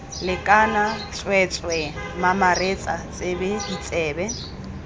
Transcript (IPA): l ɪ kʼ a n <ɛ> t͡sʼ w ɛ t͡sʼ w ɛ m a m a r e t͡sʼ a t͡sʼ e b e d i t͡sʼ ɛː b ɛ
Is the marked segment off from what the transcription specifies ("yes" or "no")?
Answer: yes